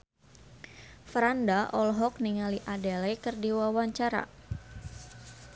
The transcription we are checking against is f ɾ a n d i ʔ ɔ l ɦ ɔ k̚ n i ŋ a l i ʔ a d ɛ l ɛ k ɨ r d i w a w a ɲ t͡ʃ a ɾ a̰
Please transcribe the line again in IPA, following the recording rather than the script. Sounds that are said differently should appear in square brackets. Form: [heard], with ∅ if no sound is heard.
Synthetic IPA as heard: f ɾ a n d [a] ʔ ɔ l ɦ ɔ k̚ n i ŋ a l i ʔ a d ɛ l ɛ k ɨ r d i w a w a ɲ t͡ʃ a ɾ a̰